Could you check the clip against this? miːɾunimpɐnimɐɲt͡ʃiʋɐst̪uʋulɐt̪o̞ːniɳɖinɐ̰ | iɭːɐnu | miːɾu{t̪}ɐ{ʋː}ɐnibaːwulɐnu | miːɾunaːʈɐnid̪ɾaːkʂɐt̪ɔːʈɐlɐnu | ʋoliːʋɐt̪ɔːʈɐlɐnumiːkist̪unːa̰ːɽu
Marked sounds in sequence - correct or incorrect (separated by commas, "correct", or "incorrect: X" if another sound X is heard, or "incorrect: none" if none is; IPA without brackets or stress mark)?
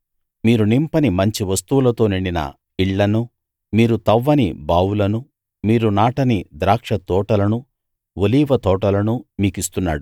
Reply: correct, correct